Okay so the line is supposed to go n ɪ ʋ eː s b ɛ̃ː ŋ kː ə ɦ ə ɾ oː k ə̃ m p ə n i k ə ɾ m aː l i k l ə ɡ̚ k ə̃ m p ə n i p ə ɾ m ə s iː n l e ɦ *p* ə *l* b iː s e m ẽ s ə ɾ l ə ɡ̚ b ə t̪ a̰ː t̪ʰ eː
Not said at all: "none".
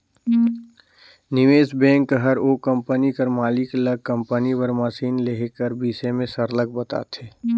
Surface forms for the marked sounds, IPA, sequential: k, ɾ

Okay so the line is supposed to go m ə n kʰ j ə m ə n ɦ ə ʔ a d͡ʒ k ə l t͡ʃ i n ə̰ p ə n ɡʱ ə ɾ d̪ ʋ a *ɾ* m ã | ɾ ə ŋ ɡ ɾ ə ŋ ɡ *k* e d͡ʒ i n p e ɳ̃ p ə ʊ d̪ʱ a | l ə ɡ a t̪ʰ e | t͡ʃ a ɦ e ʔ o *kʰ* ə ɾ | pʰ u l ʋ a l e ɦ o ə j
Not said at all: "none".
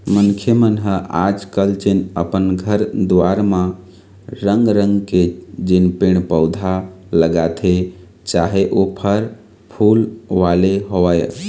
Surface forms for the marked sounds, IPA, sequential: ɾ, k, pʰ

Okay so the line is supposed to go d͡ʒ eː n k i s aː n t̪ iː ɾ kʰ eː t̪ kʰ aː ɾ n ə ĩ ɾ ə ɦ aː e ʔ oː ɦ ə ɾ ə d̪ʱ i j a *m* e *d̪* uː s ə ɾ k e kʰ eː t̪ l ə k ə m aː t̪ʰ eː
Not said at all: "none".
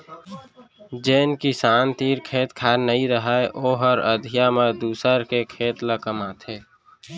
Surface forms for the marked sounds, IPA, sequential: m, d̪

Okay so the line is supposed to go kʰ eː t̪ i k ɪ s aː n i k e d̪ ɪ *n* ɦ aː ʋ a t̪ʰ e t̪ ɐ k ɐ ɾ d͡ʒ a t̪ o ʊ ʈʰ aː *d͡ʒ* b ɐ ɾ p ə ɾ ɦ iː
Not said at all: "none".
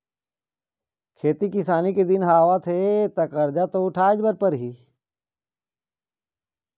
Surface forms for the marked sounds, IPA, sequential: n, d͡ʒ

